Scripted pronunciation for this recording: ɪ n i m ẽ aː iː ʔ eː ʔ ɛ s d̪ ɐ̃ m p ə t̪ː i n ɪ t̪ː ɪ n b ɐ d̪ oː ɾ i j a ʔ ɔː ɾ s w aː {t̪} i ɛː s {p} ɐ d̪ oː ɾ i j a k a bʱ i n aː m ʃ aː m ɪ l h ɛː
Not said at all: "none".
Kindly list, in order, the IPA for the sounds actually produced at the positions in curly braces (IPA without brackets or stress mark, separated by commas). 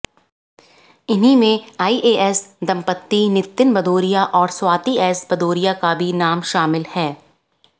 t̪, b